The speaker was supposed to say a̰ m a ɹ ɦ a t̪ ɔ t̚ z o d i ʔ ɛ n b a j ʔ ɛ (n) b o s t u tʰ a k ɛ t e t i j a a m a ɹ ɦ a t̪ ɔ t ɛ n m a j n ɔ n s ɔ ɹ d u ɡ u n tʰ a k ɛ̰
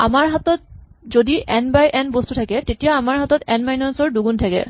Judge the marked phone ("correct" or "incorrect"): correct